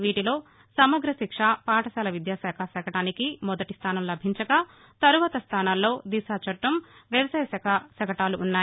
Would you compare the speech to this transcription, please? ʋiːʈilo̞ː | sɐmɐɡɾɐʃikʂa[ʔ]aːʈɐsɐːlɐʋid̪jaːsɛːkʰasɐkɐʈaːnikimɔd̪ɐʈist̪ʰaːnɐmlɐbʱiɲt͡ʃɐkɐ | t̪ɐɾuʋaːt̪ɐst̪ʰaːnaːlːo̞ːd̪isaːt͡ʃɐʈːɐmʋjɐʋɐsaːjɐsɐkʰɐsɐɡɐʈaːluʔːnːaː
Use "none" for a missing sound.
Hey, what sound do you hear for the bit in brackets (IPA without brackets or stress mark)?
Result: p